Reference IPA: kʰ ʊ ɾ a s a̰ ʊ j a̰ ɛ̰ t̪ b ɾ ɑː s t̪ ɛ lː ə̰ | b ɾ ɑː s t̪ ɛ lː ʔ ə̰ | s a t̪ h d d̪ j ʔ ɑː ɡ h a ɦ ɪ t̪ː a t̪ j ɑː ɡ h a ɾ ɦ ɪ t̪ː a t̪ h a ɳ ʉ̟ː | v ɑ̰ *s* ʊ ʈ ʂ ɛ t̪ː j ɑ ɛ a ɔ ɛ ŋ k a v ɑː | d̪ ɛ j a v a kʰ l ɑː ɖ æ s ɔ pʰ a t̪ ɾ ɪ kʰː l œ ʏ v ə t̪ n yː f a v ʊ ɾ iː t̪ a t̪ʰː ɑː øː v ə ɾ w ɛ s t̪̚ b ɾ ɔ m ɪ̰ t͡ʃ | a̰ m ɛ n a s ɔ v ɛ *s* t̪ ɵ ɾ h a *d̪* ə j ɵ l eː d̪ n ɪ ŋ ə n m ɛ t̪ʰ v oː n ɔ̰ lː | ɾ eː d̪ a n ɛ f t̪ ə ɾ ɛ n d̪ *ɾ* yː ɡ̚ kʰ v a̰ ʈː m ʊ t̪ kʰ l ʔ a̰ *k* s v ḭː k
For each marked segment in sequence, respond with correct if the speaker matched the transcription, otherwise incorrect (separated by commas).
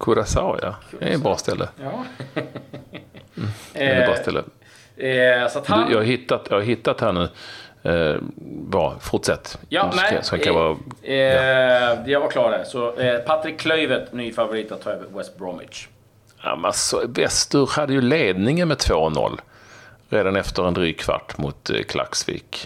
incorrect, correct, incorrect, correct, correct